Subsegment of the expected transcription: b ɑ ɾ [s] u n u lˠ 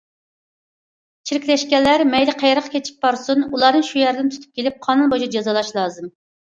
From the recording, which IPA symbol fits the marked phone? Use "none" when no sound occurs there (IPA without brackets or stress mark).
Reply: s